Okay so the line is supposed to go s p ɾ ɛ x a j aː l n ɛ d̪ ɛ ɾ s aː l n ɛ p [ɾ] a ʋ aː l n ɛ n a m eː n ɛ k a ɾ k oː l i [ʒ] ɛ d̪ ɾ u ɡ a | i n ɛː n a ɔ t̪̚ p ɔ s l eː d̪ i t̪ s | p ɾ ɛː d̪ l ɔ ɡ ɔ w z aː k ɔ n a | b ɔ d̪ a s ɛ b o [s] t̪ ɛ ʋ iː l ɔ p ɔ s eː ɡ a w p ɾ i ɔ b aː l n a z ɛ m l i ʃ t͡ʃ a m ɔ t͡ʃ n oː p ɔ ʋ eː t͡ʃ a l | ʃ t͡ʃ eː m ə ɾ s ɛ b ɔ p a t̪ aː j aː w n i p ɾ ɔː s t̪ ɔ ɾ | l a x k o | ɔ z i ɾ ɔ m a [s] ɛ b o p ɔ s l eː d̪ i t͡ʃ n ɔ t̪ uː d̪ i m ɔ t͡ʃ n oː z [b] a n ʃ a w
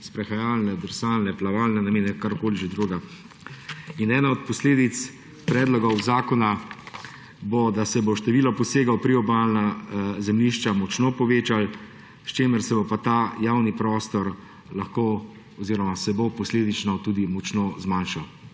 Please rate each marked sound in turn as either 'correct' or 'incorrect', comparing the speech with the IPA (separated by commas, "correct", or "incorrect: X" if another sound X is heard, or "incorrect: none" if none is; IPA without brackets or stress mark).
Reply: incorrect: l, correct, incorrect: ʃ, correct, incorrect: m